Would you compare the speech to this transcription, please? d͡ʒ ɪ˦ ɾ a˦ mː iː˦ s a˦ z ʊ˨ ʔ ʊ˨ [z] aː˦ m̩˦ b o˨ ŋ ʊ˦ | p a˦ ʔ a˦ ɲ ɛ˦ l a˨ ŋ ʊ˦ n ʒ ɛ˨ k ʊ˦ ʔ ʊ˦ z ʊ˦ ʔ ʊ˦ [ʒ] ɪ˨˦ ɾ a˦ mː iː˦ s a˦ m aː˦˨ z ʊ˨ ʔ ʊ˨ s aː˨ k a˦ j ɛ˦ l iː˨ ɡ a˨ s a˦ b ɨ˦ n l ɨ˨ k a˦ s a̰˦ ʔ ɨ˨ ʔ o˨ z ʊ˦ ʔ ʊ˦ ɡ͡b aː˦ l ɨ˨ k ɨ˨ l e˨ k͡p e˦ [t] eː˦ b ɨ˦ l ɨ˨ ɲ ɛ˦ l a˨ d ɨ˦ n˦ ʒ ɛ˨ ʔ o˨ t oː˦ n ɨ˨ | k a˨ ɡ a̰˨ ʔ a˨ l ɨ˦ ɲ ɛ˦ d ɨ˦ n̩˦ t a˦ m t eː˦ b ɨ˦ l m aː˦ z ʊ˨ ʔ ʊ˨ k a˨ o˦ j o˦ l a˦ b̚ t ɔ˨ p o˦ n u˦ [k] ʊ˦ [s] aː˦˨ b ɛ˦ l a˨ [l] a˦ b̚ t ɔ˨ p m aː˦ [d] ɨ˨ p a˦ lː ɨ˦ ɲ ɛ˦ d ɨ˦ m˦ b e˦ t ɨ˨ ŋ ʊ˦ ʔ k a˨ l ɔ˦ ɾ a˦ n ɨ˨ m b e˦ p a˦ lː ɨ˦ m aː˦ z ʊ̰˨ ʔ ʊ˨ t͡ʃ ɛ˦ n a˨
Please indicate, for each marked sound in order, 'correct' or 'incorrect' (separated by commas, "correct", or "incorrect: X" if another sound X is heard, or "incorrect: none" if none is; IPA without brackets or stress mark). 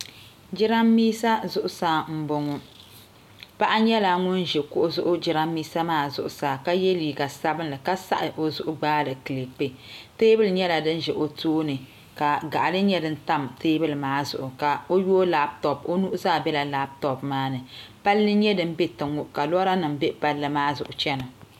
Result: incorrect: s, incorrect: d͡ʒ, correct, incorrect: ʔ, incorrect: z, correct, incorrect: n